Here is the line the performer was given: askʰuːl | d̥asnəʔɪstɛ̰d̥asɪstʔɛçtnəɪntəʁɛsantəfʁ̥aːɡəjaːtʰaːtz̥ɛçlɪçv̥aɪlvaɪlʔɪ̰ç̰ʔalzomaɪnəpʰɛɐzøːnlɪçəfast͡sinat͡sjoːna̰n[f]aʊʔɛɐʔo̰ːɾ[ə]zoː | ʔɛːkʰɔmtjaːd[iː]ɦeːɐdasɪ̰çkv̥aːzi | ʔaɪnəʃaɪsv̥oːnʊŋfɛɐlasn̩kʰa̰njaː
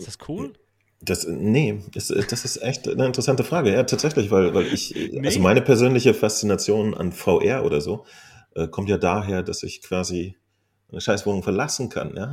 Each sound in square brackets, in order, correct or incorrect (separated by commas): correct, incorrect, incorrect